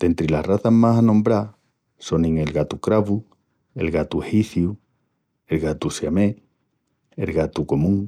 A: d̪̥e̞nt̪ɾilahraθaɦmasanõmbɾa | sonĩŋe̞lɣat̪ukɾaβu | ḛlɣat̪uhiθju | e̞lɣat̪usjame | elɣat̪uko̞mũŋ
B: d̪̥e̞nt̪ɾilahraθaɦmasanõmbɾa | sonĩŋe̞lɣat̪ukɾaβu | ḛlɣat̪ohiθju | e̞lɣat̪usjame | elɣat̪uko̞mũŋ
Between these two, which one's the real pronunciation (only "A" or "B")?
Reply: A